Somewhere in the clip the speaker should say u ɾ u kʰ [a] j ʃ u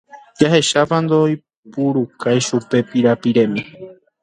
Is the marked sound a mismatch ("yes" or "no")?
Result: no